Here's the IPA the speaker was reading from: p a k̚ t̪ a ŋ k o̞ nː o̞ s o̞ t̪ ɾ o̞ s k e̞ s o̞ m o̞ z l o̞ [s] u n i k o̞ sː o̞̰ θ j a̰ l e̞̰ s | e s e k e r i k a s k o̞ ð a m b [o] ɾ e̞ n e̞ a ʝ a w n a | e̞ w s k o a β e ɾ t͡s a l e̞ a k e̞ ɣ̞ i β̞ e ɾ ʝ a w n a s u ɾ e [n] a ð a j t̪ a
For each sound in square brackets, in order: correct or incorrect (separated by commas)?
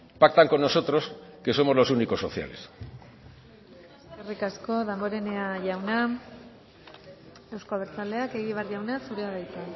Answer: correct, correct, incorrect